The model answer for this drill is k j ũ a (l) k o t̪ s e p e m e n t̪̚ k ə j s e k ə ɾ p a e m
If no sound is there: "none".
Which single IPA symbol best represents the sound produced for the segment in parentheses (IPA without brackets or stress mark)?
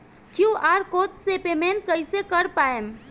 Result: ɾ